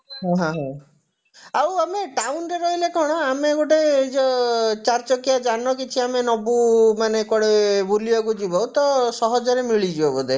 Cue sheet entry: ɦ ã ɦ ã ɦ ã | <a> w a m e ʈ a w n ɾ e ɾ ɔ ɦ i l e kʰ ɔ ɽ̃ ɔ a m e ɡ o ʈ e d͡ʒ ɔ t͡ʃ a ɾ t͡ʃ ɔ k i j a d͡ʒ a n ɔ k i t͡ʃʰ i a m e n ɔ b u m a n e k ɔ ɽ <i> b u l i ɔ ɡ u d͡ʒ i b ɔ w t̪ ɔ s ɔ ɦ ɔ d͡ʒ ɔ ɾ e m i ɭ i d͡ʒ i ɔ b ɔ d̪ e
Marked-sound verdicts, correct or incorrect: correct, incorrect: e

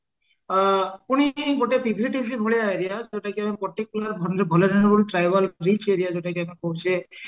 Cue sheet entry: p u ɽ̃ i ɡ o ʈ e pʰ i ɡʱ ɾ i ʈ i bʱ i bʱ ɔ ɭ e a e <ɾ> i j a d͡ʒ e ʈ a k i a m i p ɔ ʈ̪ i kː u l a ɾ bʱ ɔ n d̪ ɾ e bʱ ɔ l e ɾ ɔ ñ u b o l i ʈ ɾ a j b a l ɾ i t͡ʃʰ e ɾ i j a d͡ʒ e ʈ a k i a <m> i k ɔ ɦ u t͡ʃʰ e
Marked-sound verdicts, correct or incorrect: correct, correct

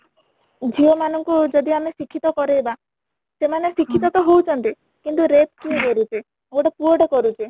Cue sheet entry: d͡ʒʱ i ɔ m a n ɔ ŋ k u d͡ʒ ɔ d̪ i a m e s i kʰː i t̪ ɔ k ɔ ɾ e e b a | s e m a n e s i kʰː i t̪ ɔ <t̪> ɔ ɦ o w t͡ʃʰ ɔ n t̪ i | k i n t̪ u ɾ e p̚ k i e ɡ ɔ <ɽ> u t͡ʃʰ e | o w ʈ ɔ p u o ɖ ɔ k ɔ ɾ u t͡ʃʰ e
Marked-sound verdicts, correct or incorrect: correct, incorrect: ɾ

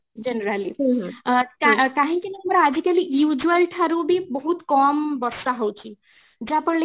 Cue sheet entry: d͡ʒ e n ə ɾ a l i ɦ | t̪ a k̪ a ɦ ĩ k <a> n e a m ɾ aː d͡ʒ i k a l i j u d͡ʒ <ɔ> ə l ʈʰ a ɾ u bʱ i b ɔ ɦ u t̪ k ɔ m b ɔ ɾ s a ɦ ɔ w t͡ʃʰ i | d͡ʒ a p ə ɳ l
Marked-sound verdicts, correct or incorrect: incorrect: i, incorrect: u

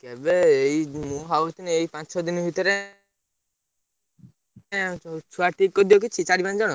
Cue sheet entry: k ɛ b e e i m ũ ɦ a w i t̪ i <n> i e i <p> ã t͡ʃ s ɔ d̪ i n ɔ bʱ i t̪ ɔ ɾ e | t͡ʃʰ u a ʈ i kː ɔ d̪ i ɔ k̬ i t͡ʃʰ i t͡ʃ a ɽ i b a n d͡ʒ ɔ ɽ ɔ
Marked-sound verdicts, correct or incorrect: correct, correct

